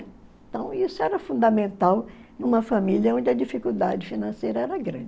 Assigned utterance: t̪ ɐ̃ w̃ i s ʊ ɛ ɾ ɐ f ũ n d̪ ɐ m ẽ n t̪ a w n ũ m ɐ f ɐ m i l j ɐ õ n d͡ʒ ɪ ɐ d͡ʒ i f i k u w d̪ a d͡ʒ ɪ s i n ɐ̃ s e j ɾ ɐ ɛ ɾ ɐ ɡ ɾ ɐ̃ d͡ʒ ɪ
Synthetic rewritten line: t̪ ɐ̃ w̃ i s ʊ ɛ ɾ ɐ f ũ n d̪ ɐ m ẽ n t̪ a w n ũ m ɐ f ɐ m i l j ɐ õ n d͡ʒ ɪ ɐ d͡ʒ i f i k u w d̪ a d͡ʒ ɪ f i n ɐ̃ s e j ɾ ɐ ɛ ɾ ɐ ɡ ɾ ɐ̃ d͡ʒ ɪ